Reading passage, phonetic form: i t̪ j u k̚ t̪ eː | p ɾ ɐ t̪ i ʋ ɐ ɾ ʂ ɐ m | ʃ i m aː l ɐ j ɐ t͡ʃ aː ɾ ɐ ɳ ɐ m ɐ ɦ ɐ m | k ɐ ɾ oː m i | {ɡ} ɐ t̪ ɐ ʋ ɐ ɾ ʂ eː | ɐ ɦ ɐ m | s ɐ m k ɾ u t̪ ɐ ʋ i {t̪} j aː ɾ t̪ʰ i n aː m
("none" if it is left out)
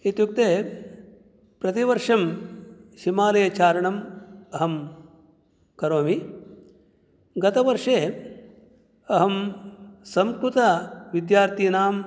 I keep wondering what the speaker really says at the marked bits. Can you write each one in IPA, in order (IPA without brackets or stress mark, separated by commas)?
ɡ, d̪